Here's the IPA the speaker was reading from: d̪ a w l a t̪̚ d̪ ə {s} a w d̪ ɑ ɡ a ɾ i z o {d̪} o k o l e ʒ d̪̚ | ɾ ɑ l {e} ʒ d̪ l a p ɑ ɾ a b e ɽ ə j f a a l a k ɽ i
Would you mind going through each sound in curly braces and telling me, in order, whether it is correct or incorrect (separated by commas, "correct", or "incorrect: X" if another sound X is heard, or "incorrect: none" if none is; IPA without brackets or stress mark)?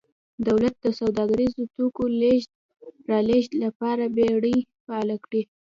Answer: correct, incorrect: t̪, correct